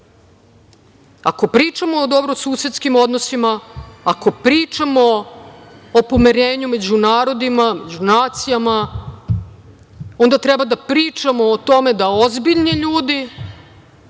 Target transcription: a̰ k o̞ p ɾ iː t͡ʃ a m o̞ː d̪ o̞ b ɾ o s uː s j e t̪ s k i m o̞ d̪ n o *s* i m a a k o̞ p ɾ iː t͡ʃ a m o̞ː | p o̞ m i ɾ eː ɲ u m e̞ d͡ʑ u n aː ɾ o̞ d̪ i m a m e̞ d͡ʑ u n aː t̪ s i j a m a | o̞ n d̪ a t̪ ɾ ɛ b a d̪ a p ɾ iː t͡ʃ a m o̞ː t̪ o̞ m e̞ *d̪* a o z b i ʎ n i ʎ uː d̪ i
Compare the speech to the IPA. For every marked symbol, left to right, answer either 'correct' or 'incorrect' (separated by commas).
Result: correct, correct